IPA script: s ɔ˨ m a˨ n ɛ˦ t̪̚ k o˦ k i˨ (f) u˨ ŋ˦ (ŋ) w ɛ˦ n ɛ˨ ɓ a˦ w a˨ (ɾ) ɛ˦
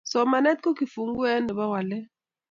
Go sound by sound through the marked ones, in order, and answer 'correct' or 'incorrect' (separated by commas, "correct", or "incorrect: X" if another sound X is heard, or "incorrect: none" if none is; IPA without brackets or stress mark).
correct, incorrect: ɡ, incorrect: l